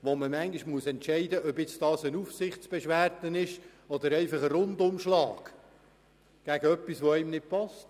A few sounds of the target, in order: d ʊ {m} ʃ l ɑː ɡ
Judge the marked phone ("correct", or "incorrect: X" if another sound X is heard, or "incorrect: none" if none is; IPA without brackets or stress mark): correct